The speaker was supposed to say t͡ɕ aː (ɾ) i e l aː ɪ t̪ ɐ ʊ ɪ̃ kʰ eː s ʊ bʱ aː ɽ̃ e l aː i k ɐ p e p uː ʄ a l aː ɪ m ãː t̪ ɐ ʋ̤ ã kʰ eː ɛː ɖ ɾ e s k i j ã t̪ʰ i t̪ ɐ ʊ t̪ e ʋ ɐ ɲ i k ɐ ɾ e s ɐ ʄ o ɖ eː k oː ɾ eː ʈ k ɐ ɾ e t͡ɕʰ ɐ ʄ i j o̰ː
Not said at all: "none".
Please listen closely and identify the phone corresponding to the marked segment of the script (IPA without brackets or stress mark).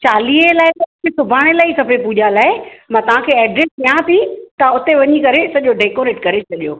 l